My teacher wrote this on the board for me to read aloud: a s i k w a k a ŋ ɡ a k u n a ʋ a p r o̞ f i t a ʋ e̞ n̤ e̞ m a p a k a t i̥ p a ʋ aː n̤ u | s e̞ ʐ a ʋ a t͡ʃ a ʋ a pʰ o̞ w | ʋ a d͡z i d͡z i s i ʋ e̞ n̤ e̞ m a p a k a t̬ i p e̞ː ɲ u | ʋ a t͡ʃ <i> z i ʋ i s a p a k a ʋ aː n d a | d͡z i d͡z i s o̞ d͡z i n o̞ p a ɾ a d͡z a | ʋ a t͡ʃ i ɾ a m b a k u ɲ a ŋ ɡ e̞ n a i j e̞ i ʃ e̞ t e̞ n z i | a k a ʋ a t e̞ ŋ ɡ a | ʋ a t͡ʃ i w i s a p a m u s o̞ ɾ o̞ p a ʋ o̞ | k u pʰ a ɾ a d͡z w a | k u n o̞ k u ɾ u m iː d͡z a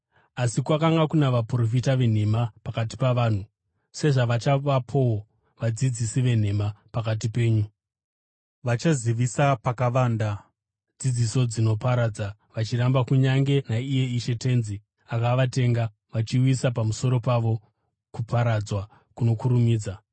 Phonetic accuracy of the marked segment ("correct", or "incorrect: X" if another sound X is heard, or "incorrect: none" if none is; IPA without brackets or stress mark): incorrect: a